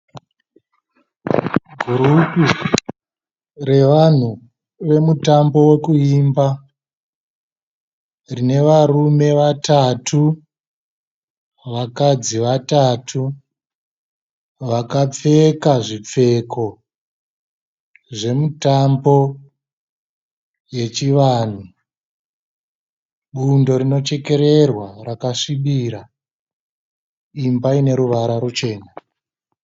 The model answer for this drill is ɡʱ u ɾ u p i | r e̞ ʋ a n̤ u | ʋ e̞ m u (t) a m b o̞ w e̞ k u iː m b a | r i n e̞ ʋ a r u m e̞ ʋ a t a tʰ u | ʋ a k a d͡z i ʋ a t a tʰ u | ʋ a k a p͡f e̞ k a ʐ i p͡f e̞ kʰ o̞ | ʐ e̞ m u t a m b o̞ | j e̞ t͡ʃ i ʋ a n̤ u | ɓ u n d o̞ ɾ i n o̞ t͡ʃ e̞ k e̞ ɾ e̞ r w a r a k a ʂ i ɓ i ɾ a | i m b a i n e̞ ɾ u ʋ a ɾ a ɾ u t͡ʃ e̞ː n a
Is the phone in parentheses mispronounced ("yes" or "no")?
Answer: no